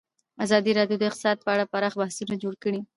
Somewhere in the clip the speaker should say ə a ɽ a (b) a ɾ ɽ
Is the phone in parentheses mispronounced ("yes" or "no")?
yes